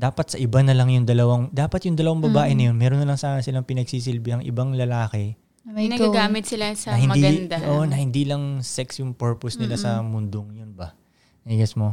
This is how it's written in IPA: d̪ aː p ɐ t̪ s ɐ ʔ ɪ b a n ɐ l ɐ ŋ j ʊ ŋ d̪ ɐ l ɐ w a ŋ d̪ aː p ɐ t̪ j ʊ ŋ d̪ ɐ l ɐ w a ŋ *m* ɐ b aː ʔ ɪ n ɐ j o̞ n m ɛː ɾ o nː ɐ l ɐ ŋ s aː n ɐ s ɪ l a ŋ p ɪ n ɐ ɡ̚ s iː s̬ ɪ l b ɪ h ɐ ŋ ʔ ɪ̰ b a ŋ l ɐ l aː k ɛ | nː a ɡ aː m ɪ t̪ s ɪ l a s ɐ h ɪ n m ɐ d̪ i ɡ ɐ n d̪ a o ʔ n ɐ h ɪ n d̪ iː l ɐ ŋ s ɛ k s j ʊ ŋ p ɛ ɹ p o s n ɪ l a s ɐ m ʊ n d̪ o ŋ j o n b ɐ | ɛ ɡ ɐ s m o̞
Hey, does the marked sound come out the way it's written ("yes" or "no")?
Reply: no